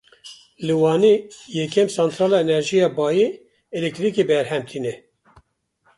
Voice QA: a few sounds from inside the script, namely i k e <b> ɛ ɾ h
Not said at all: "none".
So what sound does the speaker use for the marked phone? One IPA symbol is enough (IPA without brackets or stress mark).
b